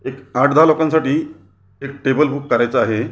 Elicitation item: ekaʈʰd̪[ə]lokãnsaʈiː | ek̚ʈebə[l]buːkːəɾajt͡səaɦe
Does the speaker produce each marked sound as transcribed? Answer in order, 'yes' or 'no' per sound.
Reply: no, yes

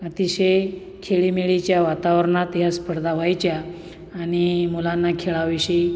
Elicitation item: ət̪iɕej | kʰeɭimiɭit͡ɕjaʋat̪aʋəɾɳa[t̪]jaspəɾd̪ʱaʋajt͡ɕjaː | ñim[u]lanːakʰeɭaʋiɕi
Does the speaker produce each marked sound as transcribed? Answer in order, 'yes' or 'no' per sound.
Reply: yes, yes

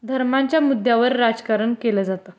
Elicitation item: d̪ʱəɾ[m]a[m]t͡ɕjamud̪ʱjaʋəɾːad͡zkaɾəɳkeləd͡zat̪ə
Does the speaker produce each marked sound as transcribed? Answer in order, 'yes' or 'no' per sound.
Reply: yes, no

